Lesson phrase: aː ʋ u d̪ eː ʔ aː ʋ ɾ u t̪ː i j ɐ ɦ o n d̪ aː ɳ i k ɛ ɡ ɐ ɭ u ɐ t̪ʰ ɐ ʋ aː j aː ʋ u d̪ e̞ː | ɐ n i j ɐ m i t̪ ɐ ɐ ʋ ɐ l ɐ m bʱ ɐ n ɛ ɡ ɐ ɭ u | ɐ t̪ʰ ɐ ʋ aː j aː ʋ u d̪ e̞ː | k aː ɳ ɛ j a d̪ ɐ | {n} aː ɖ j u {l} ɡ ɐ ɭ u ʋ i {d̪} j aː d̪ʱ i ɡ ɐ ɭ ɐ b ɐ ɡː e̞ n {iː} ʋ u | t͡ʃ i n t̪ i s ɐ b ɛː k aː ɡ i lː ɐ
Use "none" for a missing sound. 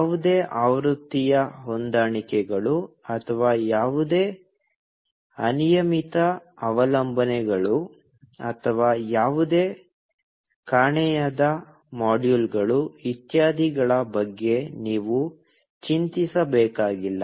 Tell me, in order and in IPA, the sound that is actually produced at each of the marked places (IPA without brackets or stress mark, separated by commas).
m, l, t̪, iː